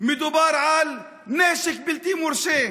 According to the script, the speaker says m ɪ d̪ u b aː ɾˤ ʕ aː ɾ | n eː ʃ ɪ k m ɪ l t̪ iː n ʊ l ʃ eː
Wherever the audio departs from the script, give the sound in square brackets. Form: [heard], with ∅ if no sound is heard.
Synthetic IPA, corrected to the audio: m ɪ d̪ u b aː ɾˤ ʕ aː [l] | n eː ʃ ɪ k [b] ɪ l t̪ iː [m] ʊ [ɾ] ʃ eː